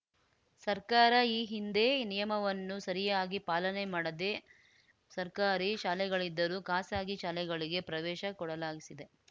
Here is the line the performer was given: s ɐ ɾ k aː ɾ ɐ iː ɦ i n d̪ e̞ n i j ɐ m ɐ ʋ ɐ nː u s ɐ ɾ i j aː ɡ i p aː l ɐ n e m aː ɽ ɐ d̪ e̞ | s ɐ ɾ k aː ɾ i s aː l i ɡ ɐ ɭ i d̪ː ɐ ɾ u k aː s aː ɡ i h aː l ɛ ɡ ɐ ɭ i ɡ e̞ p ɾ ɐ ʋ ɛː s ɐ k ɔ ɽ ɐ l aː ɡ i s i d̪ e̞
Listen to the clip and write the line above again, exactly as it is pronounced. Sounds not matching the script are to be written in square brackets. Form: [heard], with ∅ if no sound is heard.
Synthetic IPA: s ɐ ɾ k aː ɾ ɐ iː ɦ i n d̪ e̞ n i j ɐ m ɐ ʋ ɐ nː u s ɐ ɾ i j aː ɡ i p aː l ɐ n e m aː ɽ ɐ d̪ e̞ | s ɐ ɾ k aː ɾ i [ʃ] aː l [ɛ] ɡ ɐ ɭ i d̪ː ɐ ɾ u k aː s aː ɡ i [ʃ] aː l ɛ ɡ ɐ ɭ i ɡ e̞ p ɾ ɐ ʋ ɛː [ʃ] ɐ k ɔ ɽ ɐ l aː ɡ i s i d̪ e̞